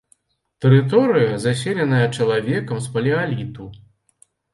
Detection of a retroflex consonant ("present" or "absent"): present